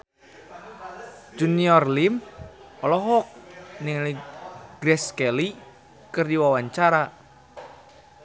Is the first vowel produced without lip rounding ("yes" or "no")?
no